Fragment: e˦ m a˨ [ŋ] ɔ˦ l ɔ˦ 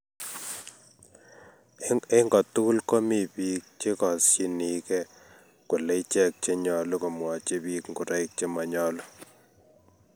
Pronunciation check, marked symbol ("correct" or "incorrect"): incorrect